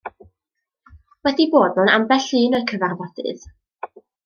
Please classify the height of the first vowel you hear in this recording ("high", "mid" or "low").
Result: mid